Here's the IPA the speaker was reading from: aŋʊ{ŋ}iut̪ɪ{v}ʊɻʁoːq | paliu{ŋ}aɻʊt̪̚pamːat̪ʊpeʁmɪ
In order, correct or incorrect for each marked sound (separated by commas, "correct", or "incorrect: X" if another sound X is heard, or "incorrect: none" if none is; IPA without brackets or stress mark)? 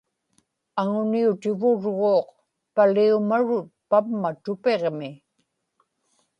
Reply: incorrect: n, correct, incorrect: m